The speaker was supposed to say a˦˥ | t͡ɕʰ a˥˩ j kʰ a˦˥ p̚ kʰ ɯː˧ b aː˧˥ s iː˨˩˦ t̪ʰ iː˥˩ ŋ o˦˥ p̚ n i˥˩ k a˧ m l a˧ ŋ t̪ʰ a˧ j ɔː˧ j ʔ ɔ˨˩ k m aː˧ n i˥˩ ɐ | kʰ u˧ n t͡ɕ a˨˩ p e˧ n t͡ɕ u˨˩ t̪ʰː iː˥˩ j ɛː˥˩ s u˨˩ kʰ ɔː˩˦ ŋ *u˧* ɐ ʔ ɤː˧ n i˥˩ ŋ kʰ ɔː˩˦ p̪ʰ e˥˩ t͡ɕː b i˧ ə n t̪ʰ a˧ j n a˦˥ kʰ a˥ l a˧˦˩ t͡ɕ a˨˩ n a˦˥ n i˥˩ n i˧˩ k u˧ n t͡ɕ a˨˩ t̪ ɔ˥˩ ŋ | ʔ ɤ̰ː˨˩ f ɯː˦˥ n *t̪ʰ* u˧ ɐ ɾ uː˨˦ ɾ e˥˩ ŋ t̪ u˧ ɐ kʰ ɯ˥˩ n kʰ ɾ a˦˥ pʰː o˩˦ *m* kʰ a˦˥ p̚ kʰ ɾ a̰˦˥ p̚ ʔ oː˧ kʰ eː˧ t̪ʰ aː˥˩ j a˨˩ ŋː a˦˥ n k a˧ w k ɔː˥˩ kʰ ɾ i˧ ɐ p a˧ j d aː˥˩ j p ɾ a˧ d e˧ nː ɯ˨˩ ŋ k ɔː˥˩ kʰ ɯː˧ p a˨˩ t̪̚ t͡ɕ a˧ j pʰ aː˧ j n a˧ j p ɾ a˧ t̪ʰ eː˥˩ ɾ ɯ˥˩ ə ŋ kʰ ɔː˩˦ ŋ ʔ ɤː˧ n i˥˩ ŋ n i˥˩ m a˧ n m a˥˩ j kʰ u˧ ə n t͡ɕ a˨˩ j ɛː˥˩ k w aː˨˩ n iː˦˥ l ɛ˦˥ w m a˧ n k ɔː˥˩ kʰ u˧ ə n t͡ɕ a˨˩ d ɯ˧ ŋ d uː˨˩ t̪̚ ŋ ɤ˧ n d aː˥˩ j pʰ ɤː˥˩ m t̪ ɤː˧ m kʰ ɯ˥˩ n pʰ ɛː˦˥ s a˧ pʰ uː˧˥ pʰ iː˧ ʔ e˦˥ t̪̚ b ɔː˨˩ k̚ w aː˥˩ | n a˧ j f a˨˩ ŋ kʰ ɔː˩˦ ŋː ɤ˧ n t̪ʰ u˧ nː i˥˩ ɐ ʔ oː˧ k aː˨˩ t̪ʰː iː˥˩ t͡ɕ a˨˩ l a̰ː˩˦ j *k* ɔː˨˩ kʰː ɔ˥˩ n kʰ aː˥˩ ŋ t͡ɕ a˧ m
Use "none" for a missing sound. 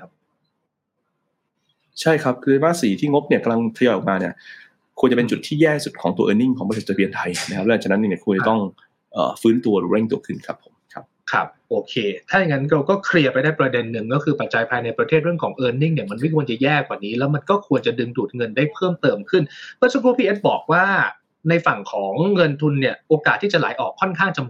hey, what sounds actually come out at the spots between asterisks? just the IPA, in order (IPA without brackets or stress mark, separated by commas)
u˧, t̪, m, ʔ